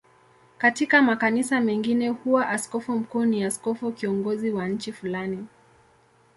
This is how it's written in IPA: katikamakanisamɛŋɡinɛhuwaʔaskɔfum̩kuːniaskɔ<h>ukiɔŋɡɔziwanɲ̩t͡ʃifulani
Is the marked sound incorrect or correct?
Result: incorrect